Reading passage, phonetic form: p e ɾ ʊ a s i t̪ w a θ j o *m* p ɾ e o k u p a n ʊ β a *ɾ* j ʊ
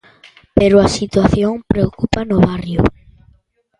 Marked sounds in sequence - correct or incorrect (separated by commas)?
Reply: incorrect, incorrect